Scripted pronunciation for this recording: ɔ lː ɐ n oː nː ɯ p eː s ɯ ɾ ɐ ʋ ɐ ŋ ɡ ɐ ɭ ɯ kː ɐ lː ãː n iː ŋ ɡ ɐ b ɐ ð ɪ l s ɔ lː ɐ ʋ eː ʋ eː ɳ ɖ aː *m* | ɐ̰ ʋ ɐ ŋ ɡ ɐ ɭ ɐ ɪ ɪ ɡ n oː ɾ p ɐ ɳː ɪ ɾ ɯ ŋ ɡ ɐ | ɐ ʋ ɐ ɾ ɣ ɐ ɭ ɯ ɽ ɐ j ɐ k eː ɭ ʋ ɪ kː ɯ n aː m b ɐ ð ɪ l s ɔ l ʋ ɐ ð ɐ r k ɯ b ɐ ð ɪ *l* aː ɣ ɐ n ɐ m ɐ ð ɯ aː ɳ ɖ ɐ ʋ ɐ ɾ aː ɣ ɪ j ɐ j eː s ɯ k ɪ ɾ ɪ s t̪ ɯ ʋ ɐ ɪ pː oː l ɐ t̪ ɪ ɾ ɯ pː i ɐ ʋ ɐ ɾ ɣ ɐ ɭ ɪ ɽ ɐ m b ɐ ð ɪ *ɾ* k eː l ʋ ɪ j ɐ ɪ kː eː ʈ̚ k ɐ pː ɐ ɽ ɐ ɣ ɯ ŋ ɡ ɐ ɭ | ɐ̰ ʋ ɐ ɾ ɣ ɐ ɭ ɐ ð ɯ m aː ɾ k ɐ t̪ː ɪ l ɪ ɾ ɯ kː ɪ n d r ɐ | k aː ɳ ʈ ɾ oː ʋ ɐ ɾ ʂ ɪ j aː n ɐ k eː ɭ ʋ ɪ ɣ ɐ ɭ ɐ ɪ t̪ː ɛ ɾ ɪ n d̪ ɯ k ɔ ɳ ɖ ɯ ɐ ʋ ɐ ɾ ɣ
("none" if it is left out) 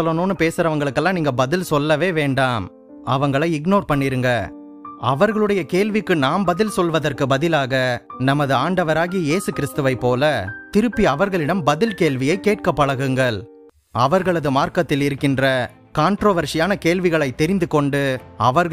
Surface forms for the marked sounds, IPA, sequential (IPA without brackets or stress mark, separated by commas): m, l, l